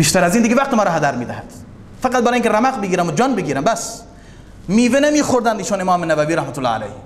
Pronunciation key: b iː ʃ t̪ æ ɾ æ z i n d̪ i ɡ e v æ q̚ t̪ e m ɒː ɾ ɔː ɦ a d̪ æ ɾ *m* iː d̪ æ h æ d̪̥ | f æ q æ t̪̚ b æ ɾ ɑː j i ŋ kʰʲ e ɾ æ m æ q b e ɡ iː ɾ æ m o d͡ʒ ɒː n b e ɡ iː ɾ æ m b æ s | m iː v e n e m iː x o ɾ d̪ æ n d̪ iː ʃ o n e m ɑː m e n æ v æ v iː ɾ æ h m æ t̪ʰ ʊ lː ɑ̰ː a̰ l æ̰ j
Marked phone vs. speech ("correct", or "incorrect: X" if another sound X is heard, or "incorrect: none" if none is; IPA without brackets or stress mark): correct